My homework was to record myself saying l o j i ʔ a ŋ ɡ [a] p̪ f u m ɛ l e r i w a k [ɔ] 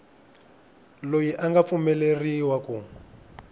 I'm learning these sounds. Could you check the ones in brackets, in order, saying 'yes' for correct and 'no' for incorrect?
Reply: yes, no

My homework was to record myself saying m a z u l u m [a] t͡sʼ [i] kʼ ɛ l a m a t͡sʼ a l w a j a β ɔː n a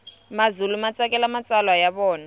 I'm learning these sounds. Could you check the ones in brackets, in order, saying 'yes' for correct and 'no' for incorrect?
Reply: yes, no

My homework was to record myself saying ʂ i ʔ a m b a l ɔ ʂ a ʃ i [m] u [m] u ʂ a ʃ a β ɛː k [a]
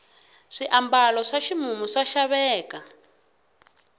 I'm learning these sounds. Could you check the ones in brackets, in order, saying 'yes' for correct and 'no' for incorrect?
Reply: yes, yes, yes

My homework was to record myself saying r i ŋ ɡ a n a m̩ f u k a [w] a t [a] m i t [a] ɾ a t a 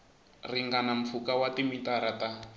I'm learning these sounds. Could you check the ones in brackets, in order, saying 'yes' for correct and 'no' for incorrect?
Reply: yes, no, yes

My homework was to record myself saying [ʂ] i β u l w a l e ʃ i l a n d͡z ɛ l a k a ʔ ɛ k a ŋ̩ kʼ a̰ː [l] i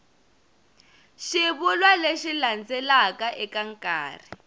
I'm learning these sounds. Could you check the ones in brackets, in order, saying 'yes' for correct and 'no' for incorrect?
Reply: no, no

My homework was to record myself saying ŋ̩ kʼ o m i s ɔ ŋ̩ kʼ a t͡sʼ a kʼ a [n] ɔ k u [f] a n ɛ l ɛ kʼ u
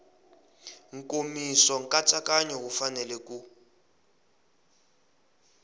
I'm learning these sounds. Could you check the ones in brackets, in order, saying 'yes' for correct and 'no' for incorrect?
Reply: no, yes

